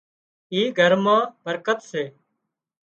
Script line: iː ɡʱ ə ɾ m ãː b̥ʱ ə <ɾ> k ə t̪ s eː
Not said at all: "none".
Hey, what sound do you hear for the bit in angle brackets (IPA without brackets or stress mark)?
ɾ